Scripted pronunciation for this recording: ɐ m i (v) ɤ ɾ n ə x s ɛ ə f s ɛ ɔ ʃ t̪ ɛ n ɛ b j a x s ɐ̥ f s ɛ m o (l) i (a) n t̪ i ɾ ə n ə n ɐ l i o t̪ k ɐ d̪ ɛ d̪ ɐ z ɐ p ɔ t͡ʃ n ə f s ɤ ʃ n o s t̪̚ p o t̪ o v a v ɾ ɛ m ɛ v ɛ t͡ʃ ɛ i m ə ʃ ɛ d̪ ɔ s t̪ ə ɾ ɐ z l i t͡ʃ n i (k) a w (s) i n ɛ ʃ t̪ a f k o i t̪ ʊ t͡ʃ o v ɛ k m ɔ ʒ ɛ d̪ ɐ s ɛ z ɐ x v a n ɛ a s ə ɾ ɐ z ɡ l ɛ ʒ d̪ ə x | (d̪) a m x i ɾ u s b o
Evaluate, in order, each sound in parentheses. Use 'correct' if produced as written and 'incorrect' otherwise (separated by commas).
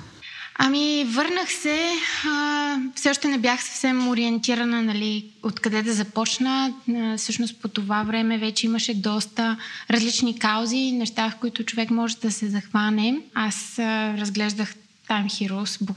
correct, incorrect, incorrect, correct, incorrect, incorrect